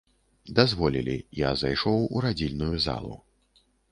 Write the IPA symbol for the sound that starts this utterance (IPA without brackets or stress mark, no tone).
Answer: d̪